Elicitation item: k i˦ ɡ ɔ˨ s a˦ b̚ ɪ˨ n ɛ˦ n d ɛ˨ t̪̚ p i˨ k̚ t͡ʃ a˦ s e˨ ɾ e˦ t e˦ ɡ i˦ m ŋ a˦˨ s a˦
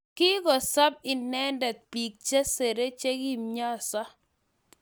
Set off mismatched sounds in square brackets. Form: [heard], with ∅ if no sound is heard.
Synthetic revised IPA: k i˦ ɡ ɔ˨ s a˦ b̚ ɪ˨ n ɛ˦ n d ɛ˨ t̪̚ p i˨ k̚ t͡ʃ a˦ s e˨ ɾ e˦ [t͡ʃ] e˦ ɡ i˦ m [ɲ] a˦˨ s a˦